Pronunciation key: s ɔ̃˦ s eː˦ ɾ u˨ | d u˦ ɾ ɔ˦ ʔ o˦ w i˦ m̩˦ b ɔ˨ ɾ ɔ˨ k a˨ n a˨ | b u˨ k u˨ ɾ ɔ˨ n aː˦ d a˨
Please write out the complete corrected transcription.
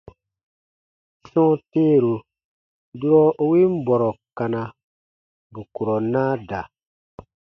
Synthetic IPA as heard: s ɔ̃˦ t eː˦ ɾ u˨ | d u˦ ɾ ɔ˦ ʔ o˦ w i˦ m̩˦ b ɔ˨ ɾ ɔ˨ k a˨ n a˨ | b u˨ k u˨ ɾ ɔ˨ n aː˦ d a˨